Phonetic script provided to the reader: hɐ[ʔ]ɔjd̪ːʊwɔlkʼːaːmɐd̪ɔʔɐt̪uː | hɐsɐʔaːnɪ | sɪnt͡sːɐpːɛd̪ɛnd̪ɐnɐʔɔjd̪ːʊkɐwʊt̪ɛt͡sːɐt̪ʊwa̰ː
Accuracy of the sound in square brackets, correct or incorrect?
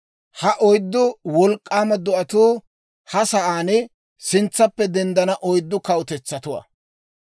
correct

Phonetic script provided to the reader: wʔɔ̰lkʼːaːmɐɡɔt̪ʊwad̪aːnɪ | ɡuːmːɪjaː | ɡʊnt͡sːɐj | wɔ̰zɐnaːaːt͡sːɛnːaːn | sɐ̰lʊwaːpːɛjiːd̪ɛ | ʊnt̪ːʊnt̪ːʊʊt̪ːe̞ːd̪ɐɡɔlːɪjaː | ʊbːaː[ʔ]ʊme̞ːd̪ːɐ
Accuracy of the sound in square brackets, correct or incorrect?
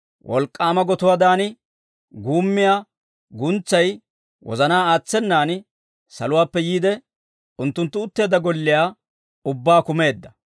incorrect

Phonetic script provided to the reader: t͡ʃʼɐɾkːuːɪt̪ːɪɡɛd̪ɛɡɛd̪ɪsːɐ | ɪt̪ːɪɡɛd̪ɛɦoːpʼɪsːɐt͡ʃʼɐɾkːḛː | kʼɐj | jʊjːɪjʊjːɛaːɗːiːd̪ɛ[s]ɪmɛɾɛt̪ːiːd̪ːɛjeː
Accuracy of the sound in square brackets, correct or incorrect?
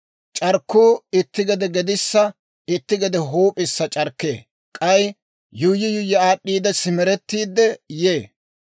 correct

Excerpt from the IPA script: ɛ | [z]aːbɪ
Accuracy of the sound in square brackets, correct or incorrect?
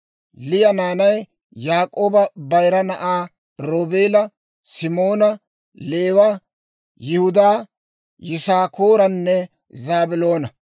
correct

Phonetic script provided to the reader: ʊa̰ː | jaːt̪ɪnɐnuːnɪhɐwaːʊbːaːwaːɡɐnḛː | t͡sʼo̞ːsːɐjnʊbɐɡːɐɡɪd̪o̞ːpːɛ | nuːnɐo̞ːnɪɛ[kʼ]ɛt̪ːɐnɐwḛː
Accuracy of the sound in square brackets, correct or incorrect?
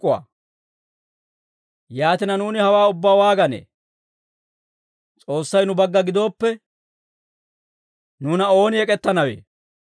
correct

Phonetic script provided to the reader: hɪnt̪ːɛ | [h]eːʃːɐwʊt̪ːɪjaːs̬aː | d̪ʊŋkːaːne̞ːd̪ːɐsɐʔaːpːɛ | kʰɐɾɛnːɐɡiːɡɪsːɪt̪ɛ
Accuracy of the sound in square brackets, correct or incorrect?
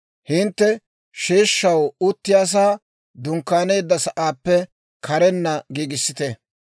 incorrect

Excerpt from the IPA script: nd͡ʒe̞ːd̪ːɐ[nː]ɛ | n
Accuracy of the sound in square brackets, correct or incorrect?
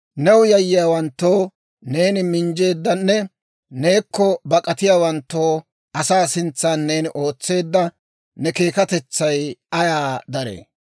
correct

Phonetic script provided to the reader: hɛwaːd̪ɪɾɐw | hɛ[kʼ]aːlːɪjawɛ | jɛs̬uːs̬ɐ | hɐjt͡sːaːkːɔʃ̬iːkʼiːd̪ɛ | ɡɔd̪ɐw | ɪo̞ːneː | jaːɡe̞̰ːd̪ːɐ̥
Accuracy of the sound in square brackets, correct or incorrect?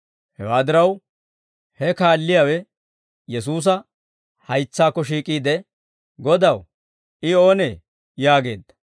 incorrect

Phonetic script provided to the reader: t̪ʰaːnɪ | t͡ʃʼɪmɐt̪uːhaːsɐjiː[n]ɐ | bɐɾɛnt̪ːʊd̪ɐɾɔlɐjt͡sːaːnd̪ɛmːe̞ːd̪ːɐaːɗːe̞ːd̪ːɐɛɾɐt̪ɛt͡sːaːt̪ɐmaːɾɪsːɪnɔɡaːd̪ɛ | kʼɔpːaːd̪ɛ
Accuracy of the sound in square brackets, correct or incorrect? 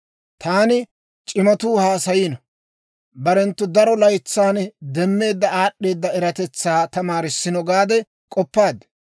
correct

